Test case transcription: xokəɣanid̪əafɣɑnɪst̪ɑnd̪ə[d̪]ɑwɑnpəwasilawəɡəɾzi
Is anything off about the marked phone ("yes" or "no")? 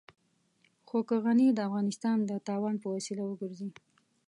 yes